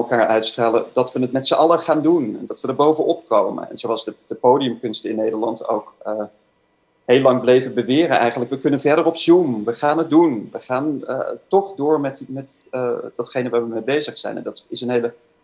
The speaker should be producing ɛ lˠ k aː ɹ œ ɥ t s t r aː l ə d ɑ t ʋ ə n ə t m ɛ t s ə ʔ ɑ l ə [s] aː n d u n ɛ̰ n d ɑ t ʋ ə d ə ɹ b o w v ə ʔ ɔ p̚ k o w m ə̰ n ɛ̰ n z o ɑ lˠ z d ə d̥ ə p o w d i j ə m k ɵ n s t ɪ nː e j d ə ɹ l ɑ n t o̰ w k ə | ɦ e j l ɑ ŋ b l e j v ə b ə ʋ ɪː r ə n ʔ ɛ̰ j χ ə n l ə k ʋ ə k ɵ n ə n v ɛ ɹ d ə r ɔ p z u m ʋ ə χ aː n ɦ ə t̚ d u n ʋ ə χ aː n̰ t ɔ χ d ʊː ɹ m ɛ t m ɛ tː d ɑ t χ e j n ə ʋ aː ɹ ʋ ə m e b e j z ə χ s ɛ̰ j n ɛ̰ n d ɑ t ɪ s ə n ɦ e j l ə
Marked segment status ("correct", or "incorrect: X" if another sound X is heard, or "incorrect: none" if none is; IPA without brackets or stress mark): incorrect: χ